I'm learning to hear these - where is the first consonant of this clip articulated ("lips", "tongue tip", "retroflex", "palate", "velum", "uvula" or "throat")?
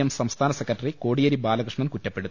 lips